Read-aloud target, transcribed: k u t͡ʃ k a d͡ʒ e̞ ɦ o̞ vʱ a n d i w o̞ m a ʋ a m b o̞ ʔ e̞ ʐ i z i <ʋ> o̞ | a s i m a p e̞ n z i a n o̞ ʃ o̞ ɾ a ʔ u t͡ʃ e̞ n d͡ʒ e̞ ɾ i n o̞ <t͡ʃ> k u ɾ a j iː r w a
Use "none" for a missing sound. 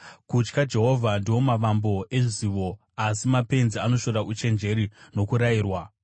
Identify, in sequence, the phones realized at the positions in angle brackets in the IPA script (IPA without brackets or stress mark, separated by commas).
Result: ʋ, none